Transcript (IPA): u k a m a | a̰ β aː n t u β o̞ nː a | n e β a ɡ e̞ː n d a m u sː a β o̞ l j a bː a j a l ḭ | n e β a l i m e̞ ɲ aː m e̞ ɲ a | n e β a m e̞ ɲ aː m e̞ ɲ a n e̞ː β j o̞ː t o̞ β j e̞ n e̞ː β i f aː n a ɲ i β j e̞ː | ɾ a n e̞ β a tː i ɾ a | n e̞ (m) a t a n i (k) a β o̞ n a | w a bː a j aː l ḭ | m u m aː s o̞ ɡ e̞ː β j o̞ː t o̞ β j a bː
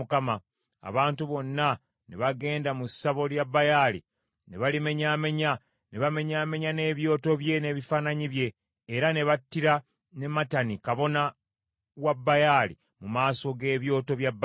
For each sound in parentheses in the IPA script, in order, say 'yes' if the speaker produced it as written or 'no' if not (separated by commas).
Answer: yes, yes